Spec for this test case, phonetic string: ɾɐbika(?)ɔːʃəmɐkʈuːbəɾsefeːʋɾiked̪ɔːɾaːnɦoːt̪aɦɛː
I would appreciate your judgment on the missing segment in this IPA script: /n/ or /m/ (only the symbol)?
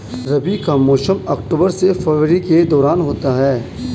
m